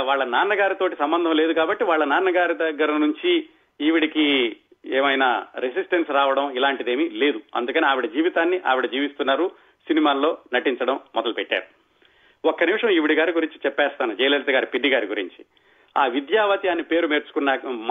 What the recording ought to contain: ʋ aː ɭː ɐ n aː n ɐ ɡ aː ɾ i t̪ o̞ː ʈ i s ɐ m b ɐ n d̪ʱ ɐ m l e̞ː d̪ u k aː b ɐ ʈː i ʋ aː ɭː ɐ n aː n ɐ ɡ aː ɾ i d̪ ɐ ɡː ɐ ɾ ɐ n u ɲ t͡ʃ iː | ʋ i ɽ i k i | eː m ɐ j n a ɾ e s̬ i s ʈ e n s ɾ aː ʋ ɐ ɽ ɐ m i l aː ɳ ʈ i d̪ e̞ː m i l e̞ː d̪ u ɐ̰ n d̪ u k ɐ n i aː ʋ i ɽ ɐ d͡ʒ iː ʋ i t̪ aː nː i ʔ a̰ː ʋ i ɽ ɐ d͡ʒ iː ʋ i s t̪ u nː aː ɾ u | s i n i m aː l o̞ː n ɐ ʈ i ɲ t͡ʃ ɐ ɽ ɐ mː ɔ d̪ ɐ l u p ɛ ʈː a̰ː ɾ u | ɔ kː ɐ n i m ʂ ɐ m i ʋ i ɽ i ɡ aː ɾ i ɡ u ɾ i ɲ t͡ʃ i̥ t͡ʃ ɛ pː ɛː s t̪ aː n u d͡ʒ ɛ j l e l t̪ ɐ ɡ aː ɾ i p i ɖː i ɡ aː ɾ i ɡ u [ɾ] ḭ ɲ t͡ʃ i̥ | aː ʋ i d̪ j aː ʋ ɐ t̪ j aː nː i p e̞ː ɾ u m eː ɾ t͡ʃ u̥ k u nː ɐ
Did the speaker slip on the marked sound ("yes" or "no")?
no